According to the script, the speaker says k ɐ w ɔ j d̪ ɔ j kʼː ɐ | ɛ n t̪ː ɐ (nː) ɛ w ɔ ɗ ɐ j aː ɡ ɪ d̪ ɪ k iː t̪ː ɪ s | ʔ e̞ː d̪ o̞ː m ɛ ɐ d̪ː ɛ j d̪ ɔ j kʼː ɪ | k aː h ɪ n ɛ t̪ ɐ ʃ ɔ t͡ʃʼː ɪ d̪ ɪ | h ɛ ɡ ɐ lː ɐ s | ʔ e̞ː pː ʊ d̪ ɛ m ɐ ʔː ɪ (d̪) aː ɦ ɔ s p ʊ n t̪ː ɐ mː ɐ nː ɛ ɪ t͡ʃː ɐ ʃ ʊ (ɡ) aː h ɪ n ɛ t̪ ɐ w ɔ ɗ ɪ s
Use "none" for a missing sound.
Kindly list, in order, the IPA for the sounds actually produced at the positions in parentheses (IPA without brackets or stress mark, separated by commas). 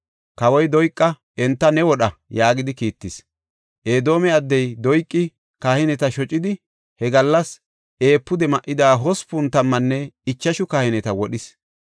n, d̪, k